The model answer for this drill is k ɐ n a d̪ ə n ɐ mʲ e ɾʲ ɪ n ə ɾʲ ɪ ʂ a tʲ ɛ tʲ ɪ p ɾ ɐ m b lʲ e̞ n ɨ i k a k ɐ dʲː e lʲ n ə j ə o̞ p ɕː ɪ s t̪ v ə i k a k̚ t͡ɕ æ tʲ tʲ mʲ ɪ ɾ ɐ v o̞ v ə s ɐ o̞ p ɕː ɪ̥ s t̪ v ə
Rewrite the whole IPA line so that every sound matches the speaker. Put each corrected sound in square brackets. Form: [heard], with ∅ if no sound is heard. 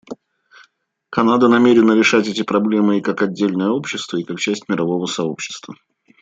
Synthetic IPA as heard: k ɐ n a d̪ ə n ɐ mʲ e ɾʲ ɪ n ə ɾʲ ɪ ʂ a tʲ ɛ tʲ ɪ p ɾ ɐ [∅] b lʲ e̞ [m] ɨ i k a k ɐ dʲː e lʲ n ə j ə o̞ p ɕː ɪ s t̪ v ə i k a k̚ t͡ɕ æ [sʲ] tʲ mʲ ɪ ɾ ɐ v o̞ v ə s ɐ o̞ p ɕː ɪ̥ s t̪ v ə